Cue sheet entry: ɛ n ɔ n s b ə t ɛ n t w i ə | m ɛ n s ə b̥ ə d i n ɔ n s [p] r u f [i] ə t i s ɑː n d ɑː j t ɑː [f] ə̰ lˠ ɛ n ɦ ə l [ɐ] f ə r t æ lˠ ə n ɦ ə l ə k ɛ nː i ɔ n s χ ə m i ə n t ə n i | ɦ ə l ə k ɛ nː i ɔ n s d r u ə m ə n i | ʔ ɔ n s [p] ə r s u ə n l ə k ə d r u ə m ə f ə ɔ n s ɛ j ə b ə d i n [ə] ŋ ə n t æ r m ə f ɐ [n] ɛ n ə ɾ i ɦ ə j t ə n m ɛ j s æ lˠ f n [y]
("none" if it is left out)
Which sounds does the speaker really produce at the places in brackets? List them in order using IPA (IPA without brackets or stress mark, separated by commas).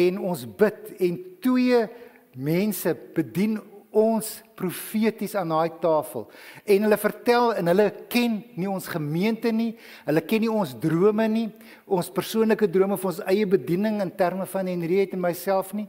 p, i, f, ə, p, ə, n, i